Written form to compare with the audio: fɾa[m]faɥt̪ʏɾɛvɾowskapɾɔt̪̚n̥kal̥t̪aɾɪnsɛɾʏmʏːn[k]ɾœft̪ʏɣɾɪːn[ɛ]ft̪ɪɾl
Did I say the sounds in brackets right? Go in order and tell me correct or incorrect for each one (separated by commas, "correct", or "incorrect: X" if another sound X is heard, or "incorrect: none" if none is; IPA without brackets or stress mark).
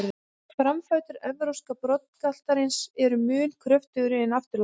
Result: correct, incorrect: kʰ, incorrect: a